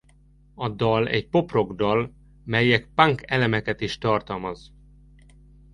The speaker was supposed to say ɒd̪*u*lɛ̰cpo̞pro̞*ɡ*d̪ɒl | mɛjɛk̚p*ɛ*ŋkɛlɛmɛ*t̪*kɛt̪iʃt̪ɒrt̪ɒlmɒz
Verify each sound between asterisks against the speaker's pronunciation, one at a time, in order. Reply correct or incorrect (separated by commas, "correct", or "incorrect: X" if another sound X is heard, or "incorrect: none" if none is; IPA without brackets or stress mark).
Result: incorrect: ɒ, correct, incorrect: a, incorrect: none